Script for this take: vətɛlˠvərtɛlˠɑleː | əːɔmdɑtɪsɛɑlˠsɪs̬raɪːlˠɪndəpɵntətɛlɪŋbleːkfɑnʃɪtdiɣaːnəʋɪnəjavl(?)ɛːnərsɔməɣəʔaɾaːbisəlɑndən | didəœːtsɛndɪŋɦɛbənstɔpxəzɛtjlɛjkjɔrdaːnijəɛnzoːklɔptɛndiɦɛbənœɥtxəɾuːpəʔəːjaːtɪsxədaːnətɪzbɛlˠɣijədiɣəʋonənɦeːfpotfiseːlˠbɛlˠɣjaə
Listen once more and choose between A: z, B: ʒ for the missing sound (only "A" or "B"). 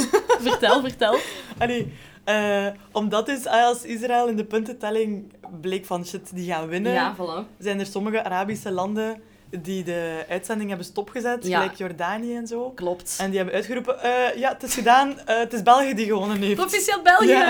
A